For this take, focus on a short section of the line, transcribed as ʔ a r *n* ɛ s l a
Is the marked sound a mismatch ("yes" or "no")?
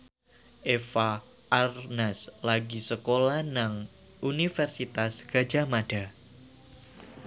no